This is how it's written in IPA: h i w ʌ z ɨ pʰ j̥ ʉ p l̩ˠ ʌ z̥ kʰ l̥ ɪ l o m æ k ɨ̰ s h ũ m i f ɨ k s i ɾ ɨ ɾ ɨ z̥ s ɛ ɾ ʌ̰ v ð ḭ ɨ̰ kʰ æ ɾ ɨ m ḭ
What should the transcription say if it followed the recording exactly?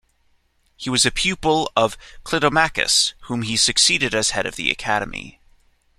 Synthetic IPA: h i w ʌ z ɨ pʰ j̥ ʉ p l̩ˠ ʌ v̥ kʰ l̥ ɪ ɾ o m æ k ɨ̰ s h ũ m i s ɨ k s i ɾ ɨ ɾ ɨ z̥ h ɛ ɾ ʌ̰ v ð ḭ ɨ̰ kʰ æ ɾ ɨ m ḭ